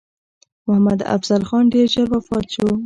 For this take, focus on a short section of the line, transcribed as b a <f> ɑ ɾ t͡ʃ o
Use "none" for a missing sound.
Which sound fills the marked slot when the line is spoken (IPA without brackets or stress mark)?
f